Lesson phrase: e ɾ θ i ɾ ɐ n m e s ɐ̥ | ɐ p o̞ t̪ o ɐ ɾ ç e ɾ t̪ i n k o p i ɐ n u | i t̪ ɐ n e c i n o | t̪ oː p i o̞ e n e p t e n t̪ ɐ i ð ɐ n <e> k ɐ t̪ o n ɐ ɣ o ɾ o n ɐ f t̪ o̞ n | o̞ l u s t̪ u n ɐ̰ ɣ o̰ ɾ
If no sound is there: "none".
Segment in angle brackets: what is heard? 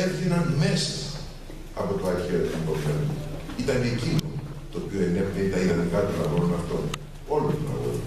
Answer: i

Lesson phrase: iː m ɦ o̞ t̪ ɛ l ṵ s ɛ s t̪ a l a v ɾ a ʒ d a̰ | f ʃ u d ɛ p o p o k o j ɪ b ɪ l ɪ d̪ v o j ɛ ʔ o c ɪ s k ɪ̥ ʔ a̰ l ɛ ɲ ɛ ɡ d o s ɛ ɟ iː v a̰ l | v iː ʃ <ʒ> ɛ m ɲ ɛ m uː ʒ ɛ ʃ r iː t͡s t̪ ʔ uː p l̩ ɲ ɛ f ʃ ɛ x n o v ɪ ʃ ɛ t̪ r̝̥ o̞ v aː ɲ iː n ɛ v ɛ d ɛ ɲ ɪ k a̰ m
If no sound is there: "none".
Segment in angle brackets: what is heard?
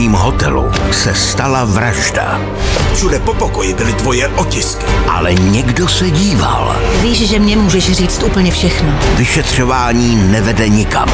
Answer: ʒ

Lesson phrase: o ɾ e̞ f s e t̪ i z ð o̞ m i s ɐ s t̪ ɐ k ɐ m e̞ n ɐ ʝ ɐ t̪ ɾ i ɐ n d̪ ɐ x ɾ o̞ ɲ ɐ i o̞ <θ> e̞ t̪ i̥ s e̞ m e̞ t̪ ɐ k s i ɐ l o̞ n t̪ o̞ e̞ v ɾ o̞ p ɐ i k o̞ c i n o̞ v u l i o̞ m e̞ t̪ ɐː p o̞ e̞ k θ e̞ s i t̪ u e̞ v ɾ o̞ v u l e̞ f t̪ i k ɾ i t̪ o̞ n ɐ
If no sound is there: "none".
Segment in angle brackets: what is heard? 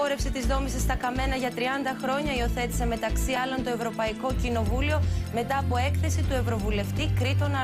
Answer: θ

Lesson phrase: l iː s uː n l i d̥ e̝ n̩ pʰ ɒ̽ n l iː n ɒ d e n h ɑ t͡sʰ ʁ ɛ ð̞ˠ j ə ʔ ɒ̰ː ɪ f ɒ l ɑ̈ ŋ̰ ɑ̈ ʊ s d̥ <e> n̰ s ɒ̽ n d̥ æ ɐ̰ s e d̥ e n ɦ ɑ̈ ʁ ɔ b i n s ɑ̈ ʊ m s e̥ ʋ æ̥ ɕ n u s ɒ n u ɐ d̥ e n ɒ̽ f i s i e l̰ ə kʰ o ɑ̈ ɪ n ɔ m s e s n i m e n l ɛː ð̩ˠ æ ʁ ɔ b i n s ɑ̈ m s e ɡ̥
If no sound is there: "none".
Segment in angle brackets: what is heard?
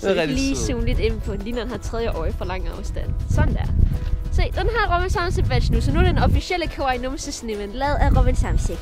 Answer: æ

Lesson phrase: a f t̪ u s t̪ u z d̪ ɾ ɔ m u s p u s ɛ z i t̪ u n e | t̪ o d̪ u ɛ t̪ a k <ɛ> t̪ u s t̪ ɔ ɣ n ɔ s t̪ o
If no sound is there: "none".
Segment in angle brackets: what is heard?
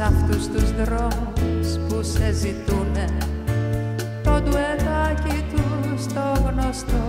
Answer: i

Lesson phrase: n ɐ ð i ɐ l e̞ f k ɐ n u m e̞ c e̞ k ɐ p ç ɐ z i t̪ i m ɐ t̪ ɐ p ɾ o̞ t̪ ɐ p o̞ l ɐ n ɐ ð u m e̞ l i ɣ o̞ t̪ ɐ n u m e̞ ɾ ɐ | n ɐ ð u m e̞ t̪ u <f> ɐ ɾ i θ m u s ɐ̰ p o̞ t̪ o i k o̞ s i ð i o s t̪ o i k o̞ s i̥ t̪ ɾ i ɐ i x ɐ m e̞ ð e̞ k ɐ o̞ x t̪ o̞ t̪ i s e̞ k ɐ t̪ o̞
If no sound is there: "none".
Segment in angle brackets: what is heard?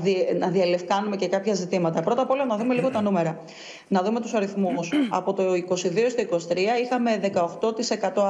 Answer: s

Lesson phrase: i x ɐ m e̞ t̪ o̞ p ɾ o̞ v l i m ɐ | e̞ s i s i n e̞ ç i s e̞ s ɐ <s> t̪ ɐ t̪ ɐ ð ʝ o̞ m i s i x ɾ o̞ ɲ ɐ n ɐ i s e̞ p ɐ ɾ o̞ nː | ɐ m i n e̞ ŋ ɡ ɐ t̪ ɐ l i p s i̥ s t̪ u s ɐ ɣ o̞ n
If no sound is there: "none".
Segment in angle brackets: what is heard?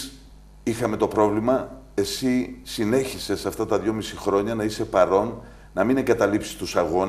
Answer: f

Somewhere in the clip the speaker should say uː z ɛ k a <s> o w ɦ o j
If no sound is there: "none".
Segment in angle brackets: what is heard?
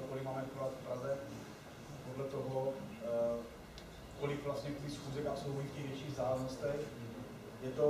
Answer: s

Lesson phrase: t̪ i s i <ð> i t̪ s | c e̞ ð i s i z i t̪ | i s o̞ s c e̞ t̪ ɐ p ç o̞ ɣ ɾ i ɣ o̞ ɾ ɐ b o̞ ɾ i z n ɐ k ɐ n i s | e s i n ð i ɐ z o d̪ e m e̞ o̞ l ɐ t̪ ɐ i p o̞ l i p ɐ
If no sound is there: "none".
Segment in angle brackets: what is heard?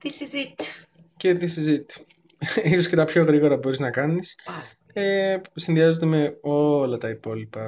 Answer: z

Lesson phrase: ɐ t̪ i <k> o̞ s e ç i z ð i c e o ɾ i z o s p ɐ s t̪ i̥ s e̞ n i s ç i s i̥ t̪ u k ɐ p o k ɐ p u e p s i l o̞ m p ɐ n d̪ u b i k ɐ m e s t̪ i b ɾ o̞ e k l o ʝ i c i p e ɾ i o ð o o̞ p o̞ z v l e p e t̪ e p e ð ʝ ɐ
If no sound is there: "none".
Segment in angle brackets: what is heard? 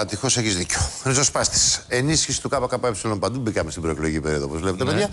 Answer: x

